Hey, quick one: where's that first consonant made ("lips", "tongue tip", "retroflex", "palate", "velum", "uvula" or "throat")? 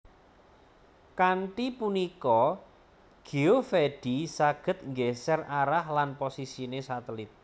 velum